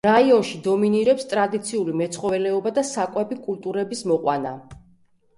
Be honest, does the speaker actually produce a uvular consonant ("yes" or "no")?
yes